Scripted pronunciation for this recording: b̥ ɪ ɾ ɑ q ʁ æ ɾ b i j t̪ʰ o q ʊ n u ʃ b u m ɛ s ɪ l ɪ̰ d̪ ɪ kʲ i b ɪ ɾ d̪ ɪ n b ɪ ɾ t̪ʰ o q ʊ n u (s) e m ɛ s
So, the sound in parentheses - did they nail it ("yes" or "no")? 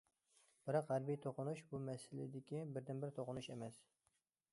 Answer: no